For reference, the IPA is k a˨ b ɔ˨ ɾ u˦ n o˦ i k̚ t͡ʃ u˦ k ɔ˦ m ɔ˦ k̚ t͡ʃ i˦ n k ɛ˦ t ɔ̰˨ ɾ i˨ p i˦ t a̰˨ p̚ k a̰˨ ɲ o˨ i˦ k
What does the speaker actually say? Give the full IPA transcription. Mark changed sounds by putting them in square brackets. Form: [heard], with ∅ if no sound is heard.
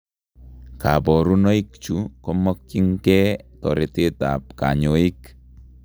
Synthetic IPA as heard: k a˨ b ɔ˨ ɾ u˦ n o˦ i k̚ t͡ʃ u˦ k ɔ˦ m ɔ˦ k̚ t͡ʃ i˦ [ŋ] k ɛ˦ t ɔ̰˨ ɾ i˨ [t] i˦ t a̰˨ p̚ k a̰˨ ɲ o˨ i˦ k